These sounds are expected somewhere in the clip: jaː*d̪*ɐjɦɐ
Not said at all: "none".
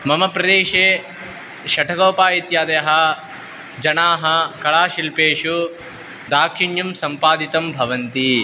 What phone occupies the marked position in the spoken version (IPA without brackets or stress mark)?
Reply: d̪